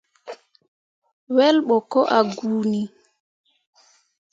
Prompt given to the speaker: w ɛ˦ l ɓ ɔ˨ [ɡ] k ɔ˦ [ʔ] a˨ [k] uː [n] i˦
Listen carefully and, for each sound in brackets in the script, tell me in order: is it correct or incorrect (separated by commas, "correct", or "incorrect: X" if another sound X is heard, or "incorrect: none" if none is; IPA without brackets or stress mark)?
incorrect: none, correct, incorrect: ɡ, correct